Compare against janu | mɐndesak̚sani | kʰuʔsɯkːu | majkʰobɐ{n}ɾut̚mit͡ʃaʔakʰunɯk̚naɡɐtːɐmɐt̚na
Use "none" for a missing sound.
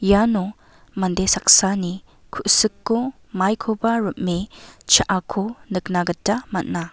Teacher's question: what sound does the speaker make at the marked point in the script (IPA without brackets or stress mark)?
none